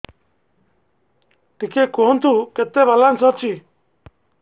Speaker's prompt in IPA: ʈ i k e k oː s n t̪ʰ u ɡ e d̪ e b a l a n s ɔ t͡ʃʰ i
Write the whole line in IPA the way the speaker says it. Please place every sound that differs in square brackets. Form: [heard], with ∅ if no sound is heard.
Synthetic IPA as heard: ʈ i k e k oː [∅] n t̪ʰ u [k] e [t̪] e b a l a n s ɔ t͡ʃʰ i